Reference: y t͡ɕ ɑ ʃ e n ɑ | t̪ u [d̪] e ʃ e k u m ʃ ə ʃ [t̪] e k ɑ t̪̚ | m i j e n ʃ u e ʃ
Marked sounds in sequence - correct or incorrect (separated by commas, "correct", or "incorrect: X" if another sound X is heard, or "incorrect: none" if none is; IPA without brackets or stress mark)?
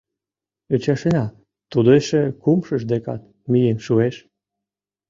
correct, incorrect: d̪